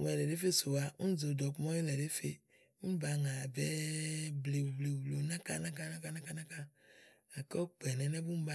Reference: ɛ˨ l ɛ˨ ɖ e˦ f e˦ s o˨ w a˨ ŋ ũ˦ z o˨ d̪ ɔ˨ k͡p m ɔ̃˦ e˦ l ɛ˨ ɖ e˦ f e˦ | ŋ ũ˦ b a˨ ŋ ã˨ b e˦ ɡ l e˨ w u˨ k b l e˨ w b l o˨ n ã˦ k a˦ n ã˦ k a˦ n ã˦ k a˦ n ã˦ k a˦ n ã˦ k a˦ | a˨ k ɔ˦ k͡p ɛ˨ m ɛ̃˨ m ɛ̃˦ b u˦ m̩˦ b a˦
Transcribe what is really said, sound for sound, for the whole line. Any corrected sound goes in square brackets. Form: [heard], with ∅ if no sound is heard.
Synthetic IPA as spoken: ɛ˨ l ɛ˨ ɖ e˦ f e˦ s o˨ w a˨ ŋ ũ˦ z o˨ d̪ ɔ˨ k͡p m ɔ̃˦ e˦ l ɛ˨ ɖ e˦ f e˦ | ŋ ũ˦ b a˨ ŋ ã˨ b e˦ [b] l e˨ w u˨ [∅] b l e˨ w b l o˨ n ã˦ k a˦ n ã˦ k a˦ n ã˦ k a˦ n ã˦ k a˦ n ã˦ k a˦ | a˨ k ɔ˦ k͡p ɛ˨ [n] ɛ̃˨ [n] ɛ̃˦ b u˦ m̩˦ b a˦